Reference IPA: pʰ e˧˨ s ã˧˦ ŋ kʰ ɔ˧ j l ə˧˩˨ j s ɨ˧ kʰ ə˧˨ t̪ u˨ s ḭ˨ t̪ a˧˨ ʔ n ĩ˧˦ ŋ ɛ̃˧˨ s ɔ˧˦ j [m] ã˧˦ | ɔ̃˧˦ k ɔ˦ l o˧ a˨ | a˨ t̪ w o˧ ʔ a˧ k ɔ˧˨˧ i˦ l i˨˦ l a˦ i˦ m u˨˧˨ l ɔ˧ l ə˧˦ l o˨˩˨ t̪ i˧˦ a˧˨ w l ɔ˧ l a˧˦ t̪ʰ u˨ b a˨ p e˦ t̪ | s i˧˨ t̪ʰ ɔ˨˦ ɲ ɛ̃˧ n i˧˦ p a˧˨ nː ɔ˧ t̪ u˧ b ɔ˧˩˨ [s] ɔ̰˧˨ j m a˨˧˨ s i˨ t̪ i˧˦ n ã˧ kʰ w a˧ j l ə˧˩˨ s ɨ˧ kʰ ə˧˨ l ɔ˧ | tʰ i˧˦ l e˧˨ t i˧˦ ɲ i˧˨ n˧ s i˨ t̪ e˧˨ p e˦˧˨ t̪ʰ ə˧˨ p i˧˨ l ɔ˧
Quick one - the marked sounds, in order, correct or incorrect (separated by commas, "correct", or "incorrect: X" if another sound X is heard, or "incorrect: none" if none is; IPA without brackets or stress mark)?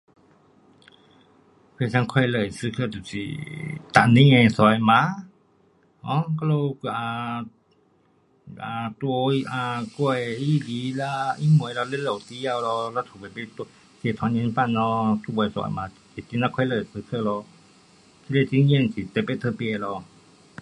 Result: correct, correct